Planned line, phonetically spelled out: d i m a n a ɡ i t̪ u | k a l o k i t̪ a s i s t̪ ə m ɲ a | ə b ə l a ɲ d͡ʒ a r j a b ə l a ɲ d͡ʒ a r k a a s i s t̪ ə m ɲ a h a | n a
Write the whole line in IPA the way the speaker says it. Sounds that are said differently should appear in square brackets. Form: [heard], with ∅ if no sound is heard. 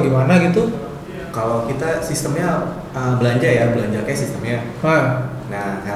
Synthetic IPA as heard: [ɡ] i m a n a ɡ i t̪ u | k a l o k i t̪ a s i s t̪ ə m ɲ a | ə b ə l a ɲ d͡ʒ a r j a b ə l a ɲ d͡ʒ a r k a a s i s t̪ ə m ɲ a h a | n a